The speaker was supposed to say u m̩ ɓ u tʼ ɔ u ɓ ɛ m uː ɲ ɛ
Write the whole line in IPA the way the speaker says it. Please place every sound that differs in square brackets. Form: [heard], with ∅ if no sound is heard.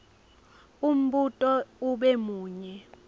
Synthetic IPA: u m̩ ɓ u tʼ ɔ u ɓ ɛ m uː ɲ ɛ